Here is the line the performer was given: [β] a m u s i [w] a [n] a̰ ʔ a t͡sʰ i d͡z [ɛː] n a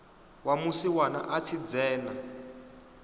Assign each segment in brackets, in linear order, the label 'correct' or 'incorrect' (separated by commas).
incorrect, correct, correct, correct